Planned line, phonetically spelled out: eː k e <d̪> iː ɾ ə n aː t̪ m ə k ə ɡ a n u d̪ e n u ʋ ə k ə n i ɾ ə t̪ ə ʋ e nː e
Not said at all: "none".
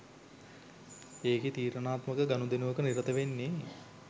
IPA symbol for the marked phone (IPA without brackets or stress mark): t̪